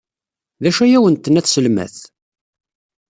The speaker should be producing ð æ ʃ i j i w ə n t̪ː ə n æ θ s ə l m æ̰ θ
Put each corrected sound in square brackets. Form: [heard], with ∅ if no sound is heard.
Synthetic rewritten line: ð æ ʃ [æ] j [æ] w ə n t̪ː ə n æ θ s ə l m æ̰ θ